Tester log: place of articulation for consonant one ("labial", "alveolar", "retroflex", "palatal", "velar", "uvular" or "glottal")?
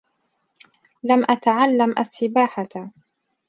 alveolar